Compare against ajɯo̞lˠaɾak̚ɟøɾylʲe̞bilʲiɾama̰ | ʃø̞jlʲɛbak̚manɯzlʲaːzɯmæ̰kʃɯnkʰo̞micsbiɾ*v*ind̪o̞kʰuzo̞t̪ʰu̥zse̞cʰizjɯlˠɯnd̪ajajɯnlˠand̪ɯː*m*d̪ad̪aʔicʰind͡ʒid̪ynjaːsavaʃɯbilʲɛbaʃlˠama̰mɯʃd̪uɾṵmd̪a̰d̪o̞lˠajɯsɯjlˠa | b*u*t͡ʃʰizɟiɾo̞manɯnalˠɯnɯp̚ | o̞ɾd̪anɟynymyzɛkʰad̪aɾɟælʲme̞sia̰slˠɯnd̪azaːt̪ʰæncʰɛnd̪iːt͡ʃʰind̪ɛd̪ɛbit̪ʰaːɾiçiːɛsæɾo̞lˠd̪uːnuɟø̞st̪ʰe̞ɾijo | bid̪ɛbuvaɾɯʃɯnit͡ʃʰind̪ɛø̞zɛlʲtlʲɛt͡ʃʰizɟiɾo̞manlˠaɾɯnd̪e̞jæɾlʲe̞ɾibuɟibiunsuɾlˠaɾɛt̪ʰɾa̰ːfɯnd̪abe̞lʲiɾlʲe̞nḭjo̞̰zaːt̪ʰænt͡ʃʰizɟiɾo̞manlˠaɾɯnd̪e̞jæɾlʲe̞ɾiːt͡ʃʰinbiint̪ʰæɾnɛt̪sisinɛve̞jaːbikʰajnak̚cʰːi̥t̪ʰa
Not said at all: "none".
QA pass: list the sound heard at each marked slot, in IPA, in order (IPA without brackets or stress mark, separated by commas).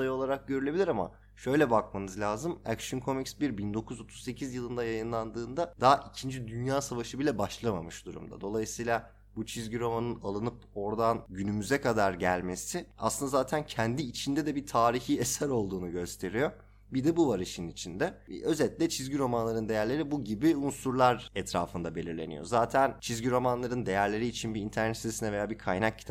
b, n, u